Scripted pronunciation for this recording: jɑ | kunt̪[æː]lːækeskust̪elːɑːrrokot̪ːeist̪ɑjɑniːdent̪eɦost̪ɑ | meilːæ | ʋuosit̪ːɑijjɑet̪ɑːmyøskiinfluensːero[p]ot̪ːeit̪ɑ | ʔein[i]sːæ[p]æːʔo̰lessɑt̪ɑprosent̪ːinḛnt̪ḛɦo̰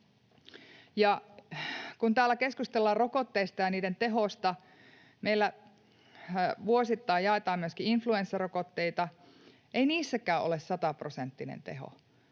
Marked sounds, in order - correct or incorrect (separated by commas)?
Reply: correct, incorrect, incorrect, incorrect